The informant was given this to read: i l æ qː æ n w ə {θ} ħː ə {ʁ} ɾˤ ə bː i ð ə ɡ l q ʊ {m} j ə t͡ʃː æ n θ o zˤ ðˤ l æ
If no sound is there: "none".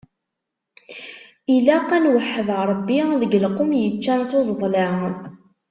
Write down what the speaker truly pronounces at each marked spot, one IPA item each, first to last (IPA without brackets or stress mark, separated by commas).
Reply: none, ð, m